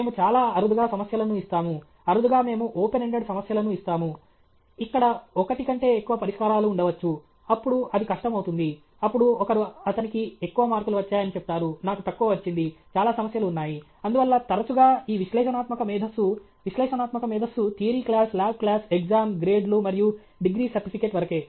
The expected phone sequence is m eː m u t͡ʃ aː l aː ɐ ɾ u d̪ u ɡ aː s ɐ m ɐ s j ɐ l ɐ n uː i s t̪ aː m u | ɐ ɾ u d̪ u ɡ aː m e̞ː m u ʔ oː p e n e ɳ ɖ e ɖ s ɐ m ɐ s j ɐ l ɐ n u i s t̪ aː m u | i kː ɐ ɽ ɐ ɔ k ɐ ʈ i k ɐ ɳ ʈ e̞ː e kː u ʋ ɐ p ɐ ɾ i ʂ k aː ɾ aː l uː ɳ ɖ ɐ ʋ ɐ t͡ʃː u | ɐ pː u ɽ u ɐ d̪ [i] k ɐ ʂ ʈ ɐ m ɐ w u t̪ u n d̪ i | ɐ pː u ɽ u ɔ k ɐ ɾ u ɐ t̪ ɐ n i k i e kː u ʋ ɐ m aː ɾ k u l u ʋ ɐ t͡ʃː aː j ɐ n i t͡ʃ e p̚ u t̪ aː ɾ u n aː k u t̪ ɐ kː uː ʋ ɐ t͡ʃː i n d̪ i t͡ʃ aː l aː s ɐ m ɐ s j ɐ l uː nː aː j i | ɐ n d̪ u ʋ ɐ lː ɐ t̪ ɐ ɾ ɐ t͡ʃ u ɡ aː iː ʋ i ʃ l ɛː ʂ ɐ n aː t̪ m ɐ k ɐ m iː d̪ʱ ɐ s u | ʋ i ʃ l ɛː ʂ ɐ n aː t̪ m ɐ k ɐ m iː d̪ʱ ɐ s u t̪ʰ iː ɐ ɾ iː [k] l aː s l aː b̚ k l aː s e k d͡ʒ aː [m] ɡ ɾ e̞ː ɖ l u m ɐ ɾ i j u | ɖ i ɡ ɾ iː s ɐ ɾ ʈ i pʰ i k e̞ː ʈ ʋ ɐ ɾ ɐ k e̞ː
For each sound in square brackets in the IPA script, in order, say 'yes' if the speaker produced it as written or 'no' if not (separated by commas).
yes, yes, yes